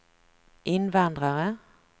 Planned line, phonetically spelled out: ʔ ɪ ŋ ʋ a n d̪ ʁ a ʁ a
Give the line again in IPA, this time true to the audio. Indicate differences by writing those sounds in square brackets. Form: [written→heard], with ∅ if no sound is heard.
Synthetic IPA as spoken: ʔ ɪ [ŋ→n] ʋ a n d̪ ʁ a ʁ [a→ə]